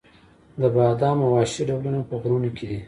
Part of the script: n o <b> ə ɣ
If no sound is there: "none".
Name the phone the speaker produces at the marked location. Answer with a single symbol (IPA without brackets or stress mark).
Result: p